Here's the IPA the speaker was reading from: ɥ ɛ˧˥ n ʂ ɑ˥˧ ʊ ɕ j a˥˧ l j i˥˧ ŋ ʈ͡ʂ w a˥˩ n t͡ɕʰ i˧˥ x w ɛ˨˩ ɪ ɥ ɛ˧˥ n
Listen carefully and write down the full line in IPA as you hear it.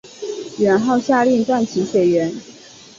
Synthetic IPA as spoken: ɥ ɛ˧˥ n x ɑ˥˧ ʊ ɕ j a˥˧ l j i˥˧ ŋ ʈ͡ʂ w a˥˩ n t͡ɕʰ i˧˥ ɕ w ɛ˨˩ ɪ ɥ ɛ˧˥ n

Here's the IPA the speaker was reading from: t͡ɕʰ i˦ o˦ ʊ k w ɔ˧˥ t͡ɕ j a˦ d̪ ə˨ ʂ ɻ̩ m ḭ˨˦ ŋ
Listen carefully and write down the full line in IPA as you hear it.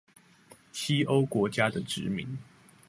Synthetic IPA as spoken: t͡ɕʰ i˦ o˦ ʊ k w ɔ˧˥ t͡ɕ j a˦ d̪ ə˨ ʈ͡ʂ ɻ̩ m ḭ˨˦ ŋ

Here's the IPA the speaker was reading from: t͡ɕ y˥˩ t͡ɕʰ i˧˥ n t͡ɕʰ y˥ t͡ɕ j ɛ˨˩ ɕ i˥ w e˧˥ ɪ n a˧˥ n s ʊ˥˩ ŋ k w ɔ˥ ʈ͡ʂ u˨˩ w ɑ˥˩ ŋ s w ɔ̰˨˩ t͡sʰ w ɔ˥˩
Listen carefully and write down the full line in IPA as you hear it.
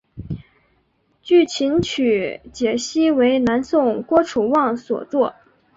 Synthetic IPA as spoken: t͡ɕ y˥˩ t͡ɕʰ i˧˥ n t͡ɕʰ y˨˩ t͡ɕ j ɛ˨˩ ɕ i˥ w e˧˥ ɪ n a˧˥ n s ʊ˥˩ ŋ k w ɔ˥ ʈ͡ʂʰ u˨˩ w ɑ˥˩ ŋ s w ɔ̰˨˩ t͡s w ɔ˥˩

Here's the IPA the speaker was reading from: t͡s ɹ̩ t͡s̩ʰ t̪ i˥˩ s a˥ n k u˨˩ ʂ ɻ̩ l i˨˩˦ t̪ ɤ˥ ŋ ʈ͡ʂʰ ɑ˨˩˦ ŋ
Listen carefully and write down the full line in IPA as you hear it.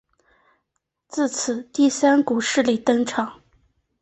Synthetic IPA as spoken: t͡s ɹ̩ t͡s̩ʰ t̪ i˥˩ s a˥ n k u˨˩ ʂ ɻ̩ l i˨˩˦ t̪ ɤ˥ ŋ ʈ͡ʂʰ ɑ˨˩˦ ŋ

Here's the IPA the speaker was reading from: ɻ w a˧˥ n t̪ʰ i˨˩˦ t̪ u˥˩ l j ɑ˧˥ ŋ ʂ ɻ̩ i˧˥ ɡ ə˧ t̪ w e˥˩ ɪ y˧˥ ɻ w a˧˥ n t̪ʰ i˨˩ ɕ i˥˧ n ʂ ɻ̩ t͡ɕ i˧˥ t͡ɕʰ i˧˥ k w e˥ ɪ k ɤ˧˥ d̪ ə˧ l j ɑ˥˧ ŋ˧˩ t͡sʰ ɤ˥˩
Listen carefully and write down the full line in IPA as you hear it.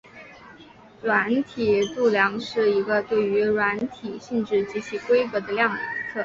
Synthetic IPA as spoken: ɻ w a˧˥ n t̪ʰ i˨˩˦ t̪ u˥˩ l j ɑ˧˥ ŋ ʂ ɻ̩ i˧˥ ɡ ə˧ t̪ w e˥˩ ɪ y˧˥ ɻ w a˧˥ n t̪ʰ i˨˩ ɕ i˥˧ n ʈ͡ʂ ɻ̩ t͡ɕ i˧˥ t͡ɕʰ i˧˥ k w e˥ ɪ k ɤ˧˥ d̪ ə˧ l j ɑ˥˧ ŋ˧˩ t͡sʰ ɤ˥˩

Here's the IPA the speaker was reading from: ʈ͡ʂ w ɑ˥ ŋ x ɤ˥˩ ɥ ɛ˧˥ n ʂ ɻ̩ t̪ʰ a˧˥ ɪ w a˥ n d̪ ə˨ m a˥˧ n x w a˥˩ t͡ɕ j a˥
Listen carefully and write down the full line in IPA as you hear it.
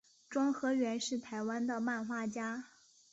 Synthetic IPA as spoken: ʈ͡ʂ w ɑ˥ ŋ x ɤ˧˥ ɥ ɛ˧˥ n ʂ ɻ̩ t̪ʰ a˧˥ ɪ w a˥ n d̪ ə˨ m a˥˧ n x w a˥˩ t͡ɕ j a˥

